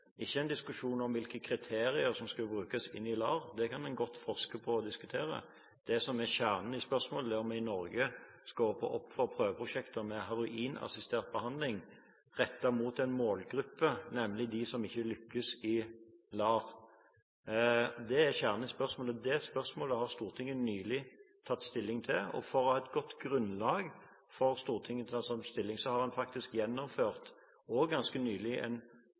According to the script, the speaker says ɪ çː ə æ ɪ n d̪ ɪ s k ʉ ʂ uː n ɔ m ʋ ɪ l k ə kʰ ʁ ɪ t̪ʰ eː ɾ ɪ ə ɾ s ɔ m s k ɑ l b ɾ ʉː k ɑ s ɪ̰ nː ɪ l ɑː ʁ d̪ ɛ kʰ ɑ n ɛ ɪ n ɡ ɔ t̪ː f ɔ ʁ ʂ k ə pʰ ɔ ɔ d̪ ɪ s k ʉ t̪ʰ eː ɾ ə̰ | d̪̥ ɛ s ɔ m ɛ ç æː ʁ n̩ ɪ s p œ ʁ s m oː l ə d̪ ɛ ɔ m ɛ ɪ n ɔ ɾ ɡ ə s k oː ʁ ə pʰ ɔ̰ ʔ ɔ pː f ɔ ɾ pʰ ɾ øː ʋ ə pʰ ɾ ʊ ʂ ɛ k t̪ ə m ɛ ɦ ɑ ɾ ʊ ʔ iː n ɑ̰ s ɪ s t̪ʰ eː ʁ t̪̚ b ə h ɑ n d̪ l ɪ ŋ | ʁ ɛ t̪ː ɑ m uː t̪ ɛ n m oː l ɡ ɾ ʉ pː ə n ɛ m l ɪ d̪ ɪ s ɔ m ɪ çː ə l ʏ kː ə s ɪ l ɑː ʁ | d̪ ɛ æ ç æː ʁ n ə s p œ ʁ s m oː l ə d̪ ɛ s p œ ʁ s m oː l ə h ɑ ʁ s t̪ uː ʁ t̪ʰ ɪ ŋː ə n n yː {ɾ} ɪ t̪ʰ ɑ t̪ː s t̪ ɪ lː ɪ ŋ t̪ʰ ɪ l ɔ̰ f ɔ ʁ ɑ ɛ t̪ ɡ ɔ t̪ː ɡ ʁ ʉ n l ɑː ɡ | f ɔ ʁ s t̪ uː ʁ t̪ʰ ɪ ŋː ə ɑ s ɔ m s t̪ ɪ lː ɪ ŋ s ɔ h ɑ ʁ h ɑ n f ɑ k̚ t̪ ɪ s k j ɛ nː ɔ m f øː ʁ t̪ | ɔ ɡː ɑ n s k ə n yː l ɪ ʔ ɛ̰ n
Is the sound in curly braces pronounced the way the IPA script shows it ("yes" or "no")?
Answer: no